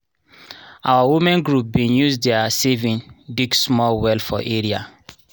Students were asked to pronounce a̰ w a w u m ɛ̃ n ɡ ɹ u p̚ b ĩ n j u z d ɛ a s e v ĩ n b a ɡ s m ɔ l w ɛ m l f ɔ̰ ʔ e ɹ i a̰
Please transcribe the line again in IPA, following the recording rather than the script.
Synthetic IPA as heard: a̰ w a w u m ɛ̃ n ɡ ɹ u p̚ b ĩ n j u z d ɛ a s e v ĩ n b i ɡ s m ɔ l w ɛ l f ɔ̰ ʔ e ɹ i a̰